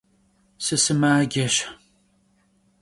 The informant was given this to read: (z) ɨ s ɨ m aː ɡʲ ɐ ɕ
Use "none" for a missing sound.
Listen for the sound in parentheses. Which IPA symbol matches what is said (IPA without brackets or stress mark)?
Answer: s